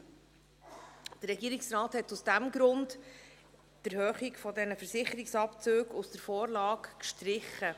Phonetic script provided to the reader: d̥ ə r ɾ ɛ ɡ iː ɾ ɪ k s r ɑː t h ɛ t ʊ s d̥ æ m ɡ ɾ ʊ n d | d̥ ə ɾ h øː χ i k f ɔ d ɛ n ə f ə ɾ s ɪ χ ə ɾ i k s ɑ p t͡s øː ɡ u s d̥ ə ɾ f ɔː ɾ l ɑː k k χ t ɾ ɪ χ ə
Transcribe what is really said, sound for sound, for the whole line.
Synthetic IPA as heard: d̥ ə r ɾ ɛ ɡ iː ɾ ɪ k s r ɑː t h ɛ t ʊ s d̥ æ m ɡ ɾ ʊ n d | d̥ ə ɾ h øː χ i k f ɔ d ɛ n ə f ə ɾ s ɪ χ ə ɾ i k s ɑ p t͡s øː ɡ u s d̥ ə ɾ f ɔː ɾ l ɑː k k ʃ t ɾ ɪ χ ə